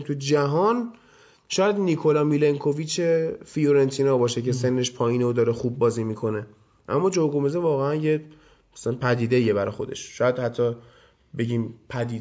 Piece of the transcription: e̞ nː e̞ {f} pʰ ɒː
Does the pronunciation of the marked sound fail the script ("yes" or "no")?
yes